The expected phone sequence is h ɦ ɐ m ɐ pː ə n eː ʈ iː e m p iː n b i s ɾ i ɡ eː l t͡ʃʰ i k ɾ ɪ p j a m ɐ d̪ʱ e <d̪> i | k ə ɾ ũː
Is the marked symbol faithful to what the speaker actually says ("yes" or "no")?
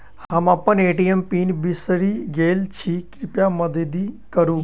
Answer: yes